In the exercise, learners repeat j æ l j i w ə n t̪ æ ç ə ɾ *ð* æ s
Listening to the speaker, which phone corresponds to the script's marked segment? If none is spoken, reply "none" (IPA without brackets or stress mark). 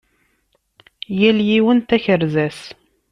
z